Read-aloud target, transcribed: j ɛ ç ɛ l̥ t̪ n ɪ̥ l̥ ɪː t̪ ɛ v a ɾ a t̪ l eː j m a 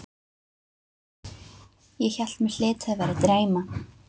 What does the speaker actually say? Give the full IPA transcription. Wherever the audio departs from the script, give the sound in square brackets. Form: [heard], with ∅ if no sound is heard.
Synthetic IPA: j ɛ ç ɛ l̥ t̪ [m] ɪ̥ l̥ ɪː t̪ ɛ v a ɾ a t̪ [ɾ] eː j m a